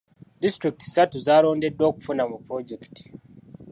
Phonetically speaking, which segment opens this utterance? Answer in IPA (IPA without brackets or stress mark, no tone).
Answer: d